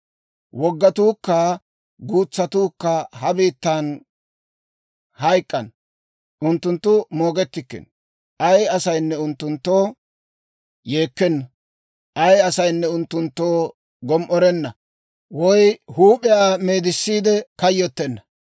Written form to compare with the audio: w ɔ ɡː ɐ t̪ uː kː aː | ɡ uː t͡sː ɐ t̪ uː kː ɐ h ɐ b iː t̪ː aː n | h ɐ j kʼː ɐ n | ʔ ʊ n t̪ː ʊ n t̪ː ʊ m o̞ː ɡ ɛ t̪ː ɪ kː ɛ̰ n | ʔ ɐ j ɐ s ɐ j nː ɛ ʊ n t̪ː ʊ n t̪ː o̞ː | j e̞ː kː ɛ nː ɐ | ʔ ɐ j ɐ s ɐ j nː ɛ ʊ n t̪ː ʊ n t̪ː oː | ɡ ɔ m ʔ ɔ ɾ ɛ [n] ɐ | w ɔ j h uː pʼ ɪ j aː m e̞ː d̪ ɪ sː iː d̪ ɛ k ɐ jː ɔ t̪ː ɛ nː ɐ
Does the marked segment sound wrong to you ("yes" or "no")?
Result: yes